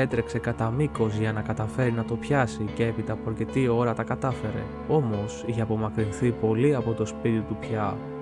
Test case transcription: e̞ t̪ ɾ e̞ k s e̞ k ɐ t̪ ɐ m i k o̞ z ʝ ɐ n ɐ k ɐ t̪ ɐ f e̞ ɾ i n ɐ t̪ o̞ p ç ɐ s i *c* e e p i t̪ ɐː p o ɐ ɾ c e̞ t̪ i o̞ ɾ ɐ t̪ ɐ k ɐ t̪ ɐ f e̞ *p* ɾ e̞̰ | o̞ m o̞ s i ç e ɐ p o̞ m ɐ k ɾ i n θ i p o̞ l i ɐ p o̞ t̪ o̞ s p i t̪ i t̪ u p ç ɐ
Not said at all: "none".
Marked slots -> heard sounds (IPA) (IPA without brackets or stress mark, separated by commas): c, none